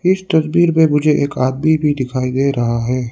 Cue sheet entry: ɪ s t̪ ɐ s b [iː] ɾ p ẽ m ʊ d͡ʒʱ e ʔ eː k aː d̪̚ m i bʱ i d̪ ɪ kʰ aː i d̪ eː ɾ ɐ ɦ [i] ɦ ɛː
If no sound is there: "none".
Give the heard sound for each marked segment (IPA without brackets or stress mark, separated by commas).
iː, a